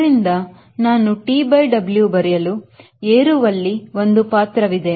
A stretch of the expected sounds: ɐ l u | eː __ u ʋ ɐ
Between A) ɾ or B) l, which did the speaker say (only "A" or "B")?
A